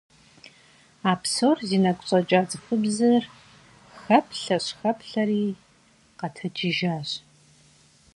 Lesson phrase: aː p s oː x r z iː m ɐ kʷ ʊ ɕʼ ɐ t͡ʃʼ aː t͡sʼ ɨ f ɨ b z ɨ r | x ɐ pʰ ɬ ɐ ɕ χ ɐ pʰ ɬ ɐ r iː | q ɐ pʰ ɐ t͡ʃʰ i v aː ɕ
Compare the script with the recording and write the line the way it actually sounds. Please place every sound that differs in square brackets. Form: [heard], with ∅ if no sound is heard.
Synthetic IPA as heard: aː p s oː [∅] r z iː [n] ɐ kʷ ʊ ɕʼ ɐ t͡ʃʼ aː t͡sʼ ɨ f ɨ b z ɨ r | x ɐ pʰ ɬ ɐ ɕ [x] ɐ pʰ ɬ ɐ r iː | q ɐ [tʰ] ɐ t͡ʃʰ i [ʒ] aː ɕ